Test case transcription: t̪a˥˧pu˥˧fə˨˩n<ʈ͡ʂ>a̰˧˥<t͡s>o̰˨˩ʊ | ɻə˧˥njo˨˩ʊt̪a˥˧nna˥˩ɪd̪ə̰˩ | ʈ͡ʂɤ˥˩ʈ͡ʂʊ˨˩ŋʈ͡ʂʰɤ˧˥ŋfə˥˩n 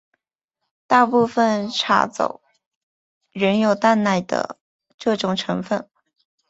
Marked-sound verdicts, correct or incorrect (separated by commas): incorrect, correct